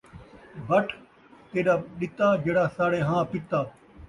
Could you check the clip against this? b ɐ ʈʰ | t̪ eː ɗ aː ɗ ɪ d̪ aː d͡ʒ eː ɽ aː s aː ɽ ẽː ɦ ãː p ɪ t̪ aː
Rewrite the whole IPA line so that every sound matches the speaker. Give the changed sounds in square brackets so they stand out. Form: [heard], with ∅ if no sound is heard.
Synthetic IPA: b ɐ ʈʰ | t̪ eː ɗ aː ɗ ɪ [t̪] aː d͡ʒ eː ɽ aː s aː ɽ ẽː ɦ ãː p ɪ t̪ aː